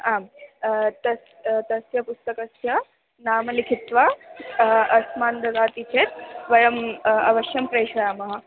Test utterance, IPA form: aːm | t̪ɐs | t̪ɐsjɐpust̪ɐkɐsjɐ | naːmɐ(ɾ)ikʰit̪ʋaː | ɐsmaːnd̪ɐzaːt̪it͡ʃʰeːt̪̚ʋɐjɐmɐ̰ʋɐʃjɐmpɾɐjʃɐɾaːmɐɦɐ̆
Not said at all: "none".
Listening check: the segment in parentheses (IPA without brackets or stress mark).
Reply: l